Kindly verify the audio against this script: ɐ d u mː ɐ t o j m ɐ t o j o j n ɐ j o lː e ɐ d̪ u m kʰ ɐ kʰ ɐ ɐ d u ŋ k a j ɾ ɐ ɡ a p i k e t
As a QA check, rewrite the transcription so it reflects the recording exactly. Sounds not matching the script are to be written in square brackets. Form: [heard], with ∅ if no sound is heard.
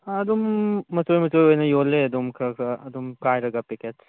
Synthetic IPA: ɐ d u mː ɐ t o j m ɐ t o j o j n ɐ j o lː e ɐ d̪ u m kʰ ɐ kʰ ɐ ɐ d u [m] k a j ɾ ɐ ɡ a p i k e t